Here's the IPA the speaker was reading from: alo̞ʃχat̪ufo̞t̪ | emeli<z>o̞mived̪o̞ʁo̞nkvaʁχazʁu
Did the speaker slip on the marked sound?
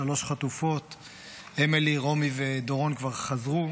yes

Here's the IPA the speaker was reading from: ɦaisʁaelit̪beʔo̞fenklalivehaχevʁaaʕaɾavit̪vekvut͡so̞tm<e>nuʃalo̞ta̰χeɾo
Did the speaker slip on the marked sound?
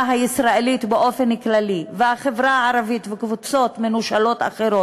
no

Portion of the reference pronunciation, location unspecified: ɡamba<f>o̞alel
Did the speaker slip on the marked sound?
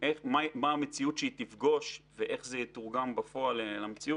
no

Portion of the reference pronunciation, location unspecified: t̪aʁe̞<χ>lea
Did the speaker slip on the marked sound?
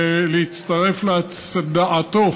yes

